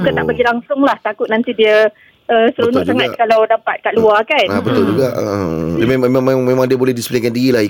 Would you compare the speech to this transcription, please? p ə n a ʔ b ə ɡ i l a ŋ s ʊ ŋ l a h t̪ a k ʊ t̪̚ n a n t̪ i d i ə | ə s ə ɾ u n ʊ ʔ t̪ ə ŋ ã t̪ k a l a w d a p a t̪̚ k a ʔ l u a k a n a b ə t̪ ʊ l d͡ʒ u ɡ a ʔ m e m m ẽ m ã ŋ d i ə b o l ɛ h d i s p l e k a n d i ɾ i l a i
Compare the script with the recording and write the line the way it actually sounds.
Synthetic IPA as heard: k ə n a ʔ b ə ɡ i l a ŋ s ʊ ŋ l a h t̪ a k ʊ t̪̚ n a n t̪ i d i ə | ə s ə ɾ u n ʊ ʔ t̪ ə ŋ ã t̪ k a l a w d a p a t̪̚ k a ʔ l u a k a n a b ə t̪ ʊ l d͡ʒ u ɡ a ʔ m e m m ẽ m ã ŋ d i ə b o l ɛ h d i s p l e k a n d i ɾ i l a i